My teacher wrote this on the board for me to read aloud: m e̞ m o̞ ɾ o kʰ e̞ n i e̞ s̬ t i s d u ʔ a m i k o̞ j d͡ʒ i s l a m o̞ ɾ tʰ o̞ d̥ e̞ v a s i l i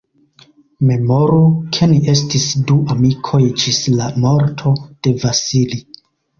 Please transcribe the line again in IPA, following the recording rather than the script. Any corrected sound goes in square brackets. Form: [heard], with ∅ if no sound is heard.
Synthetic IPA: m e̞ m o̞ ɾ [u] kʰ e̞ n i e̞ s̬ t i s d u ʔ a m i [kʰ] o̞ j d͡ʒ i s l a m o̞ ɾ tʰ o̞ d̥ e̞ v a s i l i